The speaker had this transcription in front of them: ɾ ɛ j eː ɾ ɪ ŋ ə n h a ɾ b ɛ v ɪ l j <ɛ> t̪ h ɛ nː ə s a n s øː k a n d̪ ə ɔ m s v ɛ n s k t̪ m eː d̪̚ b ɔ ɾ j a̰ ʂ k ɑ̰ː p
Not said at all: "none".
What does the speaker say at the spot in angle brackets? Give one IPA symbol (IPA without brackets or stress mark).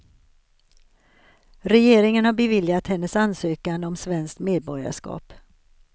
a